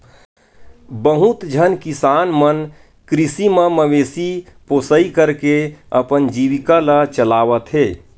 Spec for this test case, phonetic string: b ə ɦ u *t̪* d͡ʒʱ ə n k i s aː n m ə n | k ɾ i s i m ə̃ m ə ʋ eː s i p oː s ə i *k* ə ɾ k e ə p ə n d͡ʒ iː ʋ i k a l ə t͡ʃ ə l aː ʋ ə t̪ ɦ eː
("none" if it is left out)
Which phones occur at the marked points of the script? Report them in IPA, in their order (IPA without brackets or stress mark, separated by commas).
t̪, k